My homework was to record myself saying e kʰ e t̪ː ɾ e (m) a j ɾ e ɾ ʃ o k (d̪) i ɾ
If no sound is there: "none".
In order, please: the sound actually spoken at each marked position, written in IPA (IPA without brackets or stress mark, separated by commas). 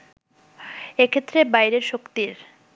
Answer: b, t̪